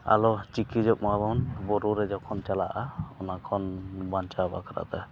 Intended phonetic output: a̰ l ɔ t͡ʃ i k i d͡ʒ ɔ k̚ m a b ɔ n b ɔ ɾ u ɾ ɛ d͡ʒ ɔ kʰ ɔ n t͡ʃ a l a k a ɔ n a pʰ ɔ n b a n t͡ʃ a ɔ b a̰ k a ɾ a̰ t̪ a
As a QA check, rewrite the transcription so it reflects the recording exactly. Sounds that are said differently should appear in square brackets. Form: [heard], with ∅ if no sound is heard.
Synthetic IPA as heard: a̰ l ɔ t͡ʃ i k i d͡ʒ ɔ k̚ m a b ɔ n b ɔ ɾ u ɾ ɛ d͡ʒ ɔ kʰ ɔ n t͡ʃ a l a [ʔ] a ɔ n a [kʰ] ɔ n b a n t͡ʃ a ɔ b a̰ k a ɾ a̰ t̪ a